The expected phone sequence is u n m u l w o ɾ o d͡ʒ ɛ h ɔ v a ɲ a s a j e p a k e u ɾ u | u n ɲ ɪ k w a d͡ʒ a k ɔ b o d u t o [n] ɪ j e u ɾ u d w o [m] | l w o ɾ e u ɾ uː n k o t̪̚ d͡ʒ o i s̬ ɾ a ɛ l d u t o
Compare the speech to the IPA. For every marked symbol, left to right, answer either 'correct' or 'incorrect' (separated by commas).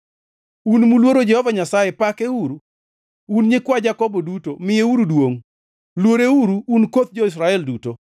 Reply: incorrect, incorrect